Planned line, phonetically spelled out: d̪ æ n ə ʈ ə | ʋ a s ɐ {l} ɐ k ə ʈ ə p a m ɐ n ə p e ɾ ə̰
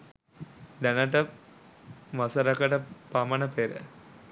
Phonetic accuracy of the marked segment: incorrect: ɾ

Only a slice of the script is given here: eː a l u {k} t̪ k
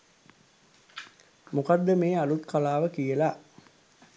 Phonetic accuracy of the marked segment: incorrect: none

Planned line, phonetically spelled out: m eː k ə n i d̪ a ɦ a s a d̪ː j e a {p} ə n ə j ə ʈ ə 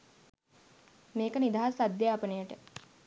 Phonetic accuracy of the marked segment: correct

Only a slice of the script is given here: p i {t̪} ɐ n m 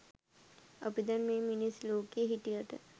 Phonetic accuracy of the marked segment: incorrect: d̪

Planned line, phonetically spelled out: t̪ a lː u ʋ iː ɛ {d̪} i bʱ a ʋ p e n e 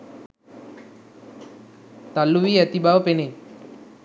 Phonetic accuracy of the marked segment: incorrect: t̪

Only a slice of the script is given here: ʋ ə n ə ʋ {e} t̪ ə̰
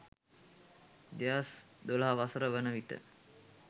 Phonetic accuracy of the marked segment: incorrect: i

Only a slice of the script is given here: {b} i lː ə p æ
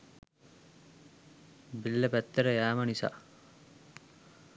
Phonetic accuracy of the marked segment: correct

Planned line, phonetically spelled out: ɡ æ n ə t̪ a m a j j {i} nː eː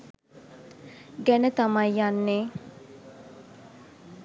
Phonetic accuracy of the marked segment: incorrect: a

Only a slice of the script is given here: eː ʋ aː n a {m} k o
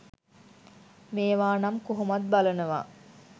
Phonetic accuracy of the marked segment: correct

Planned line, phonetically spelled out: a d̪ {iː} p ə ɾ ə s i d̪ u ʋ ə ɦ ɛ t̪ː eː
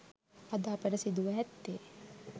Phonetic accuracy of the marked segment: incorrect: aː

